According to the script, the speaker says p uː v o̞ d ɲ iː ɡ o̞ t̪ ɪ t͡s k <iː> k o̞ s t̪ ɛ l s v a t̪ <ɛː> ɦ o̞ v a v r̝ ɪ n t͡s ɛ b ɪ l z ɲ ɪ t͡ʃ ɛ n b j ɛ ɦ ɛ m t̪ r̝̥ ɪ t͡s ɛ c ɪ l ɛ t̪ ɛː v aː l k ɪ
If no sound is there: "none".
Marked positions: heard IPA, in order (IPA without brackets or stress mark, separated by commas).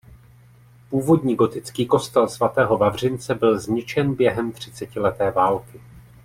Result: iː, ɛː